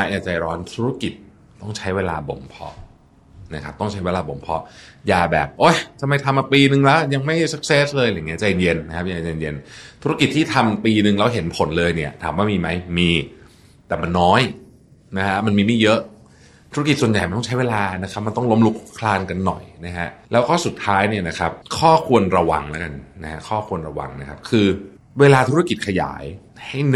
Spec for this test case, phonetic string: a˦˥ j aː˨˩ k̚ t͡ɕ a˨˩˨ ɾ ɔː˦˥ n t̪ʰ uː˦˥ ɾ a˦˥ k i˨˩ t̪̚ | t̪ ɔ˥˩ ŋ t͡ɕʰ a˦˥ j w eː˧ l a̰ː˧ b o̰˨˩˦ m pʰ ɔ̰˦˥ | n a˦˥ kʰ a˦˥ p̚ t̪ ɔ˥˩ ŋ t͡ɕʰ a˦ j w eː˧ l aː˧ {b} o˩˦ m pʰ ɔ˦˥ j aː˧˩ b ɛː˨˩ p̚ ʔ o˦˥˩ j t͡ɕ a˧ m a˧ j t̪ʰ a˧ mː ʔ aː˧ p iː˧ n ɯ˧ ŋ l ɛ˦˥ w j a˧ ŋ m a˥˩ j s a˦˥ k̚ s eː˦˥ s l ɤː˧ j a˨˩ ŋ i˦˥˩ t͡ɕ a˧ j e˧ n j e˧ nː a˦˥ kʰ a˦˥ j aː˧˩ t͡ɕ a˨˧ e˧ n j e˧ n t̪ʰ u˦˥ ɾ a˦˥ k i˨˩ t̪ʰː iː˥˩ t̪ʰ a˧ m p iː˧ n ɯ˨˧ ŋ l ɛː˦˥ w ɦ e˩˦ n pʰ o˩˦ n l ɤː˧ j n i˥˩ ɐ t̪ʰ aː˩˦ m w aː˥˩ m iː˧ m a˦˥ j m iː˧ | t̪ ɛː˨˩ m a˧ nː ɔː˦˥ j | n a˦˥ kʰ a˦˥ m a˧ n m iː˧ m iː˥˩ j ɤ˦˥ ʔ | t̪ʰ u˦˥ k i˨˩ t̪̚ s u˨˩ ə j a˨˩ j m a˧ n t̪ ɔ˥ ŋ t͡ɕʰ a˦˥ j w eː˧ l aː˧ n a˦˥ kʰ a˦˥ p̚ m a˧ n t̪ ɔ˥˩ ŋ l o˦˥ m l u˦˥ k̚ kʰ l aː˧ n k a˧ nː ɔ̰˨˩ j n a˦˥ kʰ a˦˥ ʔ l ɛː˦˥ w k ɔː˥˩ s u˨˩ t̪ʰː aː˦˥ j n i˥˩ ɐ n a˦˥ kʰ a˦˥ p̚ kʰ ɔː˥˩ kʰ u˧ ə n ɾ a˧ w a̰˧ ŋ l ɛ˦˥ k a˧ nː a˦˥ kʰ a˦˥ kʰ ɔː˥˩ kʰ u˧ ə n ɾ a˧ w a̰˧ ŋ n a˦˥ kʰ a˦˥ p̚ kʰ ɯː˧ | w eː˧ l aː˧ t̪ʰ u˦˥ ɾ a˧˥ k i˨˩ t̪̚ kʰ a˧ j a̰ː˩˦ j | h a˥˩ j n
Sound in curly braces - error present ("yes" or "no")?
no